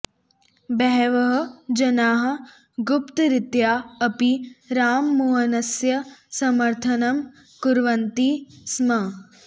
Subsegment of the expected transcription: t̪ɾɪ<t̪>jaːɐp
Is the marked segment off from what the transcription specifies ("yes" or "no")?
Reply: no